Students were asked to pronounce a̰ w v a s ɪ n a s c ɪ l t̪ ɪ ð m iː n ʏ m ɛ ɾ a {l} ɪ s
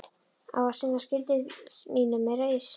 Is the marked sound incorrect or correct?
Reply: incorrect